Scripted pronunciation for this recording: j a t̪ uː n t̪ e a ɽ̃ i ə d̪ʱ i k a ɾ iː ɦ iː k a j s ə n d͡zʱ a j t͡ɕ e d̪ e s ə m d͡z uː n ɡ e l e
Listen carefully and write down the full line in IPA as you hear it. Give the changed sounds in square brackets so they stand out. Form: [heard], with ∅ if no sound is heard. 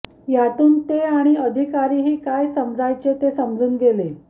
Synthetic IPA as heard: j a t̪ uː n t̪ e a ɽ̃ i ə d̪ʱ i k a ɾ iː ɦ iː k a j s ə [m] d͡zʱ a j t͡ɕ e [t̪] e s ə m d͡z uː n ɡ e l e

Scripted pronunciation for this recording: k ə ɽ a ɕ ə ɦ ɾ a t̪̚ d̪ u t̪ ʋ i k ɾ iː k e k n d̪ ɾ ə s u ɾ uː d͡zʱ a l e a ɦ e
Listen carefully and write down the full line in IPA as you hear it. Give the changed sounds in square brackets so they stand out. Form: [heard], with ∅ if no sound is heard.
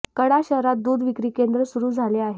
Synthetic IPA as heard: k ə ɽ a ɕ ə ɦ ɾ a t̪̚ d̪ u [d̪] ʋ i k ɾ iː k e [∅] n d̪ ɾ ə s u ɾ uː d͡zʱ a l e a ɦ e

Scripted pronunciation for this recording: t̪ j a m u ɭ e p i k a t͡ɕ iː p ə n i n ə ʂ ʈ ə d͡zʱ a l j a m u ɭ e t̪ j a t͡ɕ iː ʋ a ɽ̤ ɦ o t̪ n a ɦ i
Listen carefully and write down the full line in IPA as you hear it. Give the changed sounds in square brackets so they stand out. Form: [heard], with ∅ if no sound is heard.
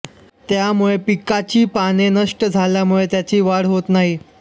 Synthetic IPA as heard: t̪ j a m u ɭ e p i k a t͡ɕ iː p [a] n [e] n ə ʂ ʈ ə d͡zʱ a l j a m u ɭ e t̪ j a t͡ɕ iː ʋ a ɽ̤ ɦ o t̪ n a ɦ i

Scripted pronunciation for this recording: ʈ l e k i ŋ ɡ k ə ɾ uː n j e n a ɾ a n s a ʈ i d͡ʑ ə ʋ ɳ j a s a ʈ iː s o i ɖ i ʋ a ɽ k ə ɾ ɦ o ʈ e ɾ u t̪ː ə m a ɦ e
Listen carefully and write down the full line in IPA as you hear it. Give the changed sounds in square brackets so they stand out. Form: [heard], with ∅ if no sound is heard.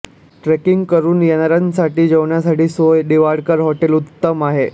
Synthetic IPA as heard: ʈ [ɾ] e k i ŋ ɡ k ə ɾ uː n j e n a ɾ a n s a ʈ [iː] d͡ʑ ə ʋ ɳ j a s a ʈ iː s o [j] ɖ i ʋ a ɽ k ə ɾ ɦ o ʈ e [l] u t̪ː ə m a ɦ e

